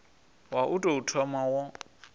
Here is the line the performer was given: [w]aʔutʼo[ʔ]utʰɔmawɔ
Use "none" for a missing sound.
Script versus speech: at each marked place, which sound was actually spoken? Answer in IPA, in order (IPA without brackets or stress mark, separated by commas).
w, none